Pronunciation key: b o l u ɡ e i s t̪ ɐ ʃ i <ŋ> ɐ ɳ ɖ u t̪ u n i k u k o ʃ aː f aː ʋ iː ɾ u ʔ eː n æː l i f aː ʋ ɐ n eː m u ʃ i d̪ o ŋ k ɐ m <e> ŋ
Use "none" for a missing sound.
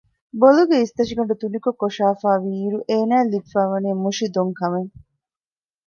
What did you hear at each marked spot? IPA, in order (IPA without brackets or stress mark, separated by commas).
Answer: ɡ, e